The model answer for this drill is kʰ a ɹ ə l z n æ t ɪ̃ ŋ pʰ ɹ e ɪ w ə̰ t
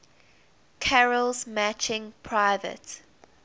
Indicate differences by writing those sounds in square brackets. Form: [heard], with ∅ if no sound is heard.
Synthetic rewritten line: kʰ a ɹ ə l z [m] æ [t͡ʃ] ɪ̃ ŋ pʰ ɹ [a] ɪ [v] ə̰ t